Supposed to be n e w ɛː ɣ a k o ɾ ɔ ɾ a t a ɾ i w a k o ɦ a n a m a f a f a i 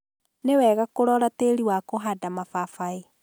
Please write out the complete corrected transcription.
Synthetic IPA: n e w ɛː ɣ a k o ɾ ɔ ɾ a t e ɾ i w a k o ɦ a d a m a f a f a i